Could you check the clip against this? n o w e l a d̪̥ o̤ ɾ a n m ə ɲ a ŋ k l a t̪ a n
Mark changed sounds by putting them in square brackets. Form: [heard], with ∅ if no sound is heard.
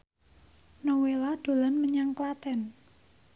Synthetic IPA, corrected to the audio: n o w e l a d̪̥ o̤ [l] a n m ə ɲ a ŋ k l a t̪ [ɛ] n